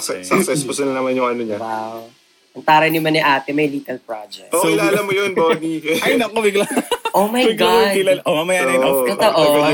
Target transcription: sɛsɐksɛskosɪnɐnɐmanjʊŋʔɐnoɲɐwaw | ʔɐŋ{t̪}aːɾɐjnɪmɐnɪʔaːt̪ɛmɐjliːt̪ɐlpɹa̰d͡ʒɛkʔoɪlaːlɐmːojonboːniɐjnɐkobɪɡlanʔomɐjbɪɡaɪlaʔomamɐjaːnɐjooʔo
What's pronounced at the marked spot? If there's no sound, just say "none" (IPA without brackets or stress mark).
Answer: t̪